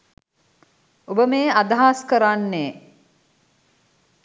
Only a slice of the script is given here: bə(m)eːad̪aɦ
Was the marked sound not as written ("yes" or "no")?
no